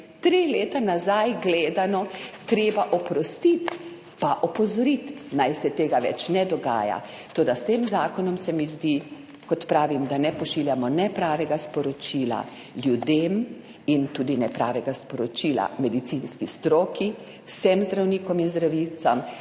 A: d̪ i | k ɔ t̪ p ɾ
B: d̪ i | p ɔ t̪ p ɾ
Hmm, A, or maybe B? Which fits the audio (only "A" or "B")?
A